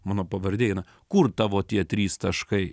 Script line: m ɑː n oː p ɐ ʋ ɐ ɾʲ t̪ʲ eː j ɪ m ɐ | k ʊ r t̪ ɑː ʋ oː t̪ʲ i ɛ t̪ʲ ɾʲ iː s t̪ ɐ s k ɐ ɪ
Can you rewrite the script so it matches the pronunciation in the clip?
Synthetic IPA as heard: m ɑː n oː p ɐ ʋ ɐ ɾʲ d̪ʲ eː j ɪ n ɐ | k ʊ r t̪ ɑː ʋ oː t̪ʲ i ɛ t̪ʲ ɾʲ iː s t̪ ɐ ʃ k ɐ ɪ